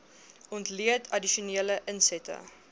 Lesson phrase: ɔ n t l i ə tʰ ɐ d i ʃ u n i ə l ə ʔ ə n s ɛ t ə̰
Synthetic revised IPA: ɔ n t l i ə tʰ ɐ d i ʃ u n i ə l ə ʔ ə n s ɛ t ə̰